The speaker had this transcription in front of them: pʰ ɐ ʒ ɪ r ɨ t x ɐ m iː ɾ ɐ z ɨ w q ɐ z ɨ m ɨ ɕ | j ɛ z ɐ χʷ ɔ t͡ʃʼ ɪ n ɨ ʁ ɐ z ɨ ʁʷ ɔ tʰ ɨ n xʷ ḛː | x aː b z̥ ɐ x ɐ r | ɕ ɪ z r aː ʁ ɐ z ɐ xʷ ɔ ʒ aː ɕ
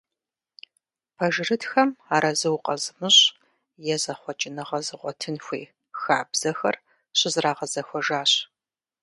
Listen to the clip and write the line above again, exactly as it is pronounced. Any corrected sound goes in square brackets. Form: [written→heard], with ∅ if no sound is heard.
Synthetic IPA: pʰ ɐ ʒ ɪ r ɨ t x ɐ m [iː→aː] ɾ ɐ z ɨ w q ɐ z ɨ m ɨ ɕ | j ɛ z ɐ χʷ ɔ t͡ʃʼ ɪ n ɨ ʁ ɐ z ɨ ʁʷ ɔ tʰ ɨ n xʷ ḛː | x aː b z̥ ɐ x ɐ r | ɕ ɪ z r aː ʁ ɐ z ɐ xʷ ɔ ʒ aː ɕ